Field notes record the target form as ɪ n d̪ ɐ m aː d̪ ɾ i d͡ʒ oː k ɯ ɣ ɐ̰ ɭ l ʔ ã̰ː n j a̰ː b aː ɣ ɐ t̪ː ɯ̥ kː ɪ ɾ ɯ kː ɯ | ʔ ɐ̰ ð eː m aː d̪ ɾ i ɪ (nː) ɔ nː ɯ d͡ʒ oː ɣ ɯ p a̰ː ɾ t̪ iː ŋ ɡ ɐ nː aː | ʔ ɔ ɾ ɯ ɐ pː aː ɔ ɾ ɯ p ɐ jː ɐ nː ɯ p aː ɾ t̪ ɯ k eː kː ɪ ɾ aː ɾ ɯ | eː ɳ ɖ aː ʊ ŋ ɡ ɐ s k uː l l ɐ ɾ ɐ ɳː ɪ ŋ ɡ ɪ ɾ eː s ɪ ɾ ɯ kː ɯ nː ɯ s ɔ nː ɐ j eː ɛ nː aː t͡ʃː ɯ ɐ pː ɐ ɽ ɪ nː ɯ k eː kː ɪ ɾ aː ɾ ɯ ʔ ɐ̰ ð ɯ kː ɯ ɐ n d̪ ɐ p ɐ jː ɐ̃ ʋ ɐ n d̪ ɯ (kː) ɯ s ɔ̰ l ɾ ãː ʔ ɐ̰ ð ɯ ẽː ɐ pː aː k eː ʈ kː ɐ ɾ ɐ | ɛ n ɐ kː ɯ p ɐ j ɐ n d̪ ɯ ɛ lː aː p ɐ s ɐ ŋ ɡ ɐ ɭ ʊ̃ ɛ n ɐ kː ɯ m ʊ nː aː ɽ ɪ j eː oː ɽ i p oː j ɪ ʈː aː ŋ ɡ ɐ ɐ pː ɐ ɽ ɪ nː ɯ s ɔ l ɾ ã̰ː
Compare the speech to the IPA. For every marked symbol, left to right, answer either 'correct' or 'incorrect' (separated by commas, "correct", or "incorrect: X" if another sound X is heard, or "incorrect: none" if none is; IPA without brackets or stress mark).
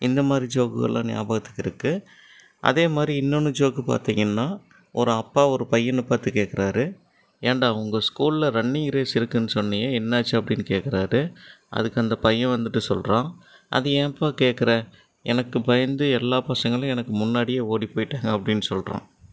correct, incorrect: ʈː